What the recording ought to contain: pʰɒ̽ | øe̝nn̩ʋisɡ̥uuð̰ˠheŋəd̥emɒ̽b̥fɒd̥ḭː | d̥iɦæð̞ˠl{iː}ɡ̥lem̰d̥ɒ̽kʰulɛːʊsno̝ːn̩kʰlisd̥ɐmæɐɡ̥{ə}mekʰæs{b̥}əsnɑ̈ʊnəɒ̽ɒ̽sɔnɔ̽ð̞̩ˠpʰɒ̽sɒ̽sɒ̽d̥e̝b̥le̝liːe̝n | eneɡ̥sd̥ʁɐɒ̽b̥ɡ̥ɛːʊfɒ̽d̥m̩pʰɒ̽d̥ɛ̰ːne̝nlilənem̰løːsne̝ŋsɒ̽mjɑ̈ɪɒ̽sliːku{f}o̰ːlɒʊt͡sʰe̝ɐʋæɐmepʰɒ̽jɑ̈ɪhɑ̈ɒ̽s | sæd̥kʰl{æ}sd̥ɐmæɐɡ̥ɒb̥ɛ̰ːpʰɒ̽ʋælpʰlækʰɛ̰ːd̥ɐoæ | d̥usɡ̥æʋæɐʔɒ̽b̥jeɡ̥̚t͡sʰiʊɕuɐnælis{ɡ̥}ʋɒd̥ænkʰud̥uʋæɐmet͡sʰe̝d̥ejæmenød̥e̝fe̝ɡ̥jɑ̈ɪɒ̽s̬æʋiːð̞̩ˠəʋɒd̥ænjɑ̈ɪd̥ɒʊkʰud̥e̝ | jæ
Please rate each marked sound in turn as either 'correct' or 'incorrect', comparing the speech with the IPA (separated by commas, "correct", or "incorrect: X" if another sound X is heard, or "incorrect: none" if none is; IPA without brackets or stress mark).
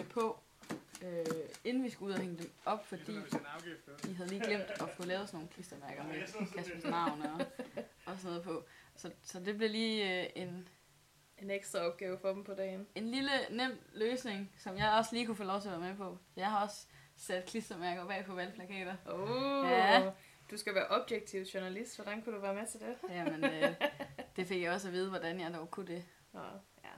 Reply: correct, incorrect: ɐ, correct, correct, incorrect: i, incorrect: d̥